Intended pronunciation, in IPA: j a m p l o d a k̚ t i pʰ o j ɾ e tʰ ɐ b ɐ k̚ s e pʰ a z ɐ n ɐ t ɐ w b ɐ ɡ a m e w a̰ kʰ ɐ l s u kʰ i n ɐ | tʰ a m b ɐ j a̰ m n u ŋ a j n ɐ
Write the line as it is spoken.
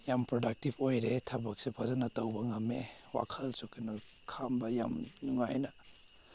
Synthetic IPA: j a m p ɾ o d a k̚ t i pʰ o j ɾ e tʰ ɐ b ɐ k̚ s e pʰ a z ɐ n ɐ t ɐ w b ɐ ŋ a m e w a̰ kʰ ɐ l s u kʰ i n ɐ | kʰ a m b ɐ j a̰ m n u ŋ a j n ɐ